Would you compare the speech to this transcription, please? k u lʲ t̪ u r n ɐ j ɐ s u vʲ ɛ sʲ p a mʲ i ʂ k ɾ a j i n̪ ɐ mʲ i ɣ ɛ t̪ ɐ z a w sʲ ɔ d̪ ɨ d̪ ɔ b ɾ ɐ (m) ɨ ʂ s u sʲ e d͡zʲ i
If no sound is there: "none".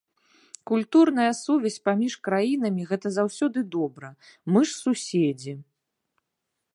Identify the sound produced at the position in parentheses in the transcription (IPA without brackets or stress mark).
m